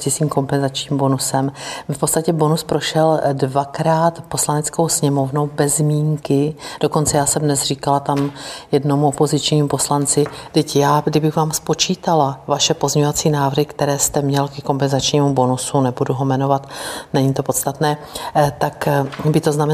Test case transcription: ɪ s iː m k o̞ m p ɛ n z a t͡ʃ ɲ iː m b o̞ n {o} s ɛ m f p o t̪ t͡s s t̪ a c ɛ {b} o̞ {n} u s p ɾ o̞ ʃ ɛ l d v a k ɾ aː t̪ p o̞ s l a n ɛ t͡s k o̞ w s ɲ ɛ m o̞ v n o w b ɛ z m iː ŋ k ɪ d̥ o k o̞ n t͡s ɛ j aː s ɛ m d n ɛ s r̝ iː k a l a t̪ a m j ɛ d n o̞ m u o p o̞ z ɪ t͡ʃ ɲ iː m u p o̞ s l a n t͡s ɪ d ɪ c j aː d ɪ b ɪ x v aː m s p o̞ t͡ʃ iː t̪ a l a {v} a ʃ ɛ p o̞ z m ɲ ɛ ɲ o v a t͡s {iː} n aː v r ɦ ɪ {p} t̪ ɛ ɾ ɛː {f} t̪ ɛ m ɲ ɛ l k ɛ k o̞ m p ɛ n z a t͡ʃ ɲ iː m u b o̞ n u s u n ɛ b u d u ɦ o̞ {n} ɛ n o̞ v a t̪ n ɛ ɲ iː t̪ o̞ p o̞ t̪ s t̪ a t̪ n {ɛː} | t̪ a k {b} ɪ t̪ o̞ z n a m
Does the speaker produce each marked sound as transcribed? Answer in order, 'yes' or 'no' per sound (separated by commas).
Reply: no, yes, yes, yes, yes, no, no, no, yes, yes